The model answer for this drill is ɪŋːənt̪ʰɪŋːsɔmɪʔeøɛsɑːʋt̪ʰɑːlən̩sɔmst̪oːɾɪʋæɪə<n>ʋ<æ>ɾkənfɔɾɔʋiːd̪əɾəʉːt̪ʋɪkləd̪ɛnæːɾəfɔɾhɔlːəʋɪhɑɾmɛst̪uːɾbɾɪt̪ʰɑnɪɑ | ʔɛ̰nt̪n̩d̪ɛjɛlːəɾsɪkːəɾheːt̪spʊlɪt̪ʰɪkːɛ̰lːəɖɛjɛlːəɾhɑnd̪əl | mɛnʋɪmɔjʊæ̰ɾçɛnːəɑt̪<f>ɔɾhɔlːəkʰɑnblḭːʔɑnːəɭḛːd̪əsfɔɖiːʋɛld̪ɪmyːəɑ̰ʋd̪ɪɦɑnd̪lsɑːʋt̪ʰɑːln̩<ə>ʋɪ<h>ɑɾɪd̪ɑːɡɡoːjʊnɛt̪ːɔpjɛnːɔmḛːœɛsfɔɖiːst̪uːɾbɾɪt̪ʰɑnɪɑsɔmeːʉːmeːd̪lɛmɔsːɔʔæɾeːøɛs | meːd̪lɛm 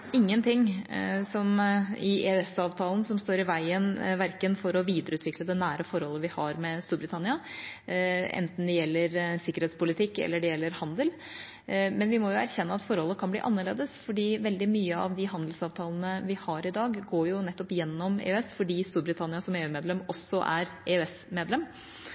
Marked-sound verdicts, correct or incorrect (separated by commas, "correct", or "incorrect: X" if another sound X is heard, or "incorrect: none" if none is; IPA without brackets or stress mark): correct, correct, correct, correct, correct